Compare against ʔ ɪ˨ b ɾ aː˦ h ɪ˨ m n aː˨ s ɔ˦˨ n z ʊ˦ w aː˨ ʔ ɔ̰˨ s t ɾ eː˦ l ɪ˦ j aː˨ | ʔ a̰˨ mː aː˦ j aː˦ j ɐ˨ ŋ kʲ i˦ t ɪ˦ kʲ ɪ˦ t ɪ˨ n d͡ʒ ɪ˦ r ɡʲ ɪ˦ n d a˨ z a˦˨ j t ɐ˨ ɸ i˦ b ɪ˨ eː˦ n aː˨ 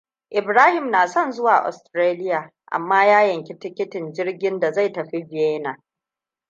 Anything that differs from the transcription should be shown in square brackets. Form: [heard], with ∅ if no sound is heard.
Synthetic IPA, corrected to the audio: ʔ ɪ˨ b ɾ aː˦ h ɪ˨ m n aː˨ s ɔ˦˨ n z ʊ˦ w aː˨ ʔ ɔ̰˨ s t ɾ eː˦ l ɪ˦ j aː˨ | ʔ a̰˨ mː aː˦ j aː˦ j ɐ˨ ŋ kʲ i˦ t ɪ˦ kʲ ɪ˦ t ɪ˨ n d͡ʒ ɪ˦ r ɡʲ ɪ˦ n d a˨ z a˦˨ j t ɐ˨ ɸ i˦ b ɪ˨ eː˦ n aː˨